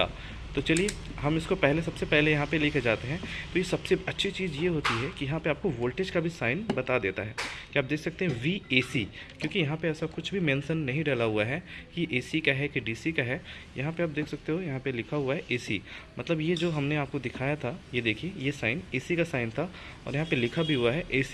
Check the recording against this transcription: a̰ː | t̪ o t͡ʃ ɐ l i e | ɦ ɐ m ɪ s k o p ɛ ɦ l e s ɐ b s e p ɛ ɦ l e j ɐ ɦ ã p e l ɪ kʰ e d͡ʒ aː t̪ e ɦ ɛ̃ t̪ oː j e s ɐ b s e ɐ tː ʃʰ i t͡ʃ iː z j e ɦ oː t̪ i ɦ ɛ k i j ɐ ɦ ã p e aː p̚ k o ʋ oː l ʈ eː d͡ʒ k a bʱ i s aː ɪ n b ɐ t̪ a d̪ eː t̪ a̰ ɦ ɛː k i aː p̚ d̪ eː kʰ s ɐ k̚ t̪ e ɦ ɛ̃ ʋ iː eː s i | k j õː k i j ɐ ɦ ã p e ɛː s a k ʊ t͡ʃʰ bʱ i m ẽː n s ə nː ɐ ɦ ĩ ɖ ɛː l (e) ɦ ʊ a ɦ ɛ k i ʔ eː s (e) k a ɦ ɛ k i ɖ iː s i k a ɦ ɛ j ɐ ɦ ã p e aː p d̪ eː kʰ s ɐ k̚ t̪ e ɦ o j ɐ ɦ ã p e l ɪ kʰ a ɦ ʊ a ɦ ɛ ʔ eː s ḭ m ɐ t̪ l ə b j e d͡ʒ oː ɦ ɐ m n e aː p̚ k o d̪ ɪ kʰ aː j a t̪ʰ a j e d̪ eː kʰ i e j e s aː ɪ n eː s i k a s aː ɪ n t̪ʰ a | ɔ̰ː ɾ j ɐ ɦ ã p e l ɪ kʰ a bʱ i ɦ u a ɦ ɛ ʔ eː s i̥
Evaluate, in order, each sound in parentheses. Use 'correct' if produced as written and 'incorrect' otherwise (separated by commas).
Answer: incorrect, incorrect